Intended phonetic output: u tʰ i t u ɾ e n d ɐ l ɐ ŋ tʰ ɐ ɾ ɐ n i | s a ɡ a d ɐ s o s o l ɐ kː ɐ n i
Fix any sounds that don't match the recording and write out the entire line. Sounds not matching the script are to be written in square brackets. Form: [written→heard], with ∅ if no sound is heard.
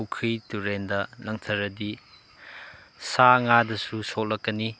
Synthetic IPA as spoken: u [tʰ→kʰ] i t u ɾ e n d ɐ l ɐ ŋ tʰ ɐ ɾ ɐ [n→d] i | s a [ɡ→ŋ] a d ɐ s [o→u] s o l ɐ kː ɐ n i